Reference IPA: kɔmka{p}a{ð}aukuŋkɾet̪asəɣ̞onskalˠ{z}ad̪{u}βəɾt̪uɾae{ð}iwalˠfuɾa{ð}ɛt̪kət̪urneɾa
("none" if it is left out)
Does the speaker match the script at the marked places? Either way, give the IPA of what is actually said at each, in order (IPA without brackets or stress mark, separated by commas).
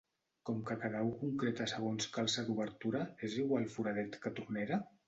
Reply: k, ð, s, u, z, ð